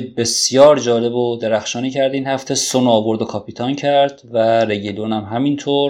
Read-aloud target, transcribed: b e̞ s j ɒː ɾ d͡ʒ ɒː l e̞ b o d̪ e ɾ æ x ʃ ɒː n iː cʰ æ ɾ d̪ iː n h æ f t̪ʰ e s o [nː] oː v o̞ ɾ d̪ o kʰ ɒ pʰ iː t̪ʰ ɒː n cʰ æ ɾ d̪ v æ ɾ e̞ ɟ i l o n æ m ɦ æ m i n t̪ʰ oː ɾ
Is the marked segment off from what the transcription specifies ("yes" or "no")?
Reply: yes